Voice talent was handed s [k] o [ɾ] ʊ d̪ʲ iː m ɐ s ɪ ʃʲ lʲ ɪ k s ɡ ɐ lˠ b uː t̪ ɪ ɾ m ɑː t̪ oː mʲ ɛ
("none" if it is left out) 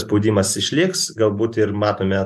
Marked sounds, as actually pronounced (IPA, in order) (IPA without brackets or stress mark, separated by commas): p, none